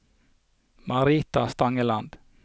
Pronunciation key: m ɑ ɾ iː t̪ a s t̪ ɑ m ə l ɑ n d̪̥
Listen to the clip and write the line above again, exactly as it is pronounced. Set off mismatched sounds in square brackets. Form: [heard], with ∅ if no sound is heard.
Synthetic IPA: m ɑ ɾ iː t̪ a s t̪ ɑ [ŋ] ə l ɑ n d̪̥